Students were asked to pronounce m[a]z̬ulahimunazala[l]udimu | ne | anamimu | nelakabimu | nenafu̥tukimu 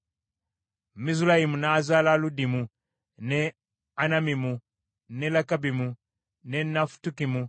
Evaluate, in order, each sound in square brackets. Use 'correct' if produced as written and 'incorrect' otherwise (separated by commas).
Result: incorrect, correct